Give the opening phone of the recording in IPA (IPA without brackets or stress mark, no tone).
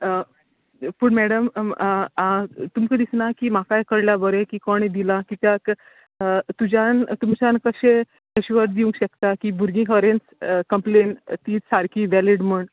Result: p